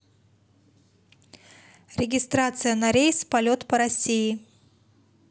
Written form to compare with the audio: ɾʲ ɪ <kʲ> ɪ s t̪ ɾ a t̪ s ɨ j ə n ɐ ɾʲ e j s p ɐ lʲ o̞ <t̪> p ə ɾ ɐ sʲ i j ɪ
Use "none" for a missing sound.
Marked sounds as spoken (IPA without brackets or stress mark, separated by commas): ɡʲ, t̪